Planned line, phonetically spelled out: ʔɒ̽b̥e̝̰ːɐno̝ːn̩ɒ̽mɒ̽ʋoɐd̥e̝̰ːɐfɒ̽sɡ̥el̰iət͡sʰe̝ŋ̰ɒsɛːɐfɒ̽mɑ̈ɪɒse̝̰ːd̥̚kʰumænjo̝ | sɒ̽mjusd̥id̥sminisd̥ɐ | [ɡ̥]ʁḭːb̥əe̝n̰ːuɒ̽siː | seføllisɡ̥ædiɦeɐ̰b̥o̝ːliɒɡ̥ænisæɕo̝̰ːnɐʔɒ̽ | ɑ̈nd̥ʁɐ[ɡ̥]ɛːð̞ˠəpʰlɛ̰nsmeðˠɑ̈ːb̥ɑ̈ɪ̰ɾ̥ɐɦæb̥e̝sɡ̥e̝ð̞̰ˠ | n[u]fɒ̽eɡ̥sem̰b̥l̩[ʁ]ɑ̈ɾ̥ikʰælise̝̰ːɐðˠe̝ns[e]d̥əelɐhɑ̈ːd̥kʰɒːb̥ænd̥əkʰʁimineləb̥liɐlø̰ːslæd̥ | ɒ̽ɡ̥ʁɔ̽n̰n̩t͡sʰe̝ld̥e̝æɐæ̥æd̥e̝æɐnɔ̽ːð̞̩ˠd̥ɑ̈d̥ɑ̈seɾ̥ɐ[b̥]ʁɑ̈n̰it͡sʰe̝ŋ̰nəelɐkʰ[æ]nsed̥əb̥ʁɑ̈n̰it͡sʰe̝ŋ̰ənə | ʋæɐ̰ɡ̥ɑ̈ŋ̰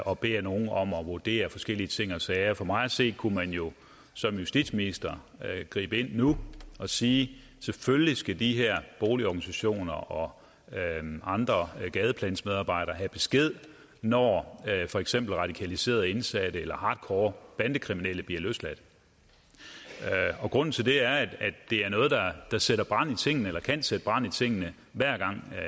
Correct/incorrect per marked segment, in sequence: correct, correct, incorrect: ɒ, correct, incorrect: æ, correct, correct

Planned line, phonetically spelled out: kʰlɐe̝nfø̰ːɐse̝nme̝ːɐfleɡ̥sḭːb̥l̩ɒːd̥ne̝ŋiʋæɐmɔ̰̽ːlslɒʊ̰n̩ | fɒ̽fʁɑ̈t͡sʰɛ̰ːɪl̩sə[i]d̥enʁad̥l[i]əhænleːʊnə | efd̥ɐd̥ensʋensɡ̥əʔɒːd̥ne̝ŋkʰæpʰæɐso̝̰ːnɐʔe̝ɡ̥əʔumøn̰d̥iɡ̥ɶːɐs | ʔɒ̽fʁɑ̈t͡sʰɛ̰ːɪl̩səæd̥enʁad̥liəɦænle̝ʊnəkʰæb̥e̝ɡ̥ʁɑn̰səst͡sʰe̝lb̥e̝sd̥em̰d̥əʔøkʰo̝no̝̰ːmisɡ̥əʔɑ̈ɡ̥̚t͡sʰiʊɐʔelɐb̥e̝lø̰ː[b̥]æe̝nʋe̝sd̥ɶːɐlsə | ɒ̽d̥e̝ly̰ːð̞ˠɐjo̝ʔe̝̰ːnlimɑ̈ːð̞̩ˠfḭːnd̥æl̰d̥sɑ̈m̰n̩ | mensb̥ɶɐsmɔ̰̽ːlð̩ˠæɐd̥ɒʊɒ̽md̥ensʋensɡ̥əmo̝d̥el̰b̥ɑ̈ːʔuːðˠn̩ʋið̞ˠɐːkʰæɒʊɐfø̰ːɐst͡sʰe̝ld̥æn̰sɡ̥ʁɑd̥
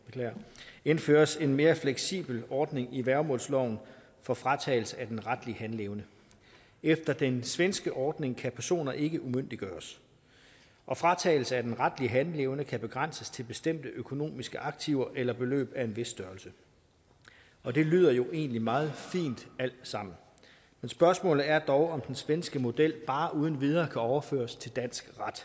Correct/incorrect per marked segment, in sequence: incorrect: æ, correct, correct

